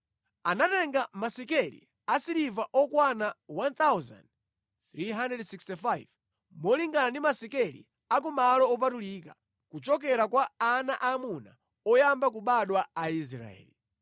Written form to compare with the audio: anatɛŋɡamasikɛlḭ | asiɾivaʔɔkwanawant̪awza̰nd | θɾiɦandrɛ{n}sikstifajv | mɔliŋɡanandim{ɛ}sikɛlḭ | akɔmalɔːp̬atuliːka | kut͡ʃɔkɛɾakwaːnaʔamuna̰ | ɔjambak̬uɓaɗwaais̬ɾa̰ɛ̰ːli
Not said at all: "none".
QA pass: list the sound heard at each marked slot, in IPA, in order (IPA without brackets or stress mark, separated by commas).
d, a